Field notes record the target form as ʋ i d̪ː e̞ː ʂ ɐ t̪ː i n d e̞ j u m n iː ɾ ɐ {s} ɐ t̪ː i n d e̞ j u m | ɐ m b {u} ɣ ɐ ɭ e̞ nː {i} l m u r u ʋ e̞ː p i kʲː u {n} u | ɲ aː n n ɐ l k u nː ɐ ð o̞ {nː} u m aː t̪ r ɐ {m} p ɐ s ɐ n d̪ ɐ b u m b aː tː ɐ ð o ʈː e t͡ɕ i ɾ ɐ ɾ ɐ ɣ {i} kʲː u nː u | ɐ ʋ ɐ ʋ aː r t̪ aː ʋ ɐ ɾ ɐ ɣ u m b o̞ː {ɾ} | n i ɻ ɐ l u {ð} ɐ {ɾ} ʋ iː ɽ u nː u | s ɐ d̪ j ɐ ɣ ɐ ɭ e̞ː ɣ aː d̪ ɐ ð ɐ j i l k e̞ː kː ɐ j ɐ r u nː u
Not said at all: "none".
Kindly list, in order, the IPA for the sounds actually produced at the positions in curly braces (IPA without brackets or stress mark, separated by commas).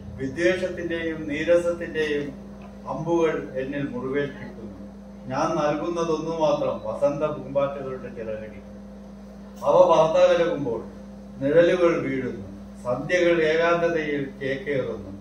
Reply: s, u, i, nː, nː, m, i, ɭ, ɣ, ɭ